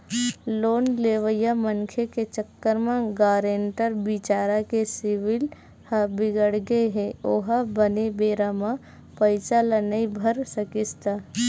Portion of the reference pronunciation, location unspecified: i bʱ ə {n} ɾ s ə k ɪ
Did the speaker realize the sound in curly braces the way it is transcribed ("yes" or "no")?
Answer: no